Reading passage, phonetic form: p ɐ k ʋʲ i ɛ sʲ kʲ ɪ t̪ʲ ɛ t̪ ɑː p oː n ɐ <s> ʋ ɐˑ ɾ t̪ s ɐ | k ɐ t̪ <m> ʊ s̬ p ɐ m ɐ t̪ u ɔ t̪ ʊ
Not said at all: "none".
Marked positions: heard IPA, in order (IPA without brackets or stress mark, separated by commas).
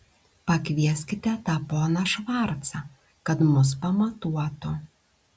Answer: ʃ, m